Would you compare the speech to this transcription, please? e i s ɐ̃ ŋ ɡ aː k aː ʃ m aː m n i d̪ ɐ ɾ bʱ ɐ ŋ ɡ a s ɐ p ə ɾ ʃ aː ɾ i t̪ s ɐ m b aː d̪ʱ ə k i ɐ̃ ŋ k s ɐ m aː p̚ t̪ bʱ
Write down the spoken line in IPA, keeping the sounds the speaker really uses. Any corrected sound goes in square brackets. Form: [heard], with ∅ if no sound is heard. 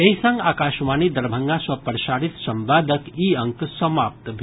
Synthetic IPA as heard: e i s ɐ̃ ŋ ɡ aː k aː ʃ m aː [∅] n i d̪ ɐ ɾ bʱ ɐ ŋ ɡ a s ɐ p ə ɾ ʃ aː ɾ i t̪ s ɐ m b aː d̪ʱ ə k i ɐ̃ ŋ k s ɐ m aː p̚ t̪ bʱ